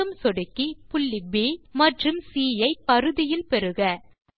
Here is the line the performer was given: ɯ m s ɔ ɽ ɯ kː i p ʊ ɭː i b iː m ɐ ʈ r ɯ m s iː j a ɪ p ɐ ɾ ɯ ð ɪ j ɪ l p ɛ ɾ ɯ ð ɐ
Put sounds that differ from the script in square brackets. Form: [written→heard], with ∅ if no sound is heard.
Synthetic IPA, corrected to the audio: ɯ m s ɔ ɽ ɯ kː i p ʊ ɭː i b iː m ɐ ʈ r ɯ m s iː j [a→ɐ] ɪ p ɐ ɾ ɯ ð ɪ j ɪ l p ɛ ɾ ɯ [ð→ɣ] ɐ